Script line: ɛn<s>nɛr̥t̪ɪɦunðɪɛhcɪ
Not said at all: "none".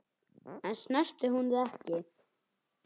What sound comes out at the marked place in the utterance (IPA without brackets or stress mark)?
s